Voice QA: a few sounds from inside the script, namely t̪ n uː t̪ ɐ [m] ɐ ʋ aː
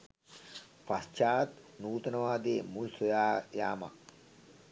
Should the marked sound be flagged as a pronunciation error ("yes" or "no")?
yes